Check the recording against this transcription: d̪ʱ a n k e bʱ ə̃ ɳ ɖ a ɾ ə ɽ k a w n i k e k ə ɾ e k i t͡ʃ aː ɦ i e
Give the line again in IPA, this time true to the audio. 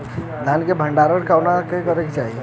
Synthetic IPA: d̪ʱ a n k e bʱ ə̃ ɳ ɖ a ɾ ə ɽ k a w n a k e k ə ɾ e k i t͡ʃ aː ɦ i e